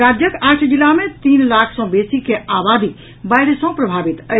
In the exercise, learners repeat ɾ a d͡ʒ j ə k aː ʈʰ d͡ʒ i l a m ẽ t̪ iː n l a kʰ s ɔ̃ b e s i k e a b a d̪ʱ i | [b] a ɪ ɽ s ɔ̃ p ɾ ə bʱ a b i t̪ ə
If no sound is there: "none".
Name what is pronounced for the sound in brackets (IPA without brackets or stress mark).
b